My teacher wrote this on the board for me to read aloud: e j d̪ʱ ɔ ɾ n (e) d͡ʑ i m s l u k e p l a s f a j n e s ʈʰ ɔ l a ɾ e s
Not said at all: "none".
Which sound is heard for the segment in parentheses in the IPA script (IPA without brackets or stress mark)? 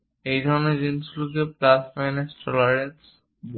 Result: e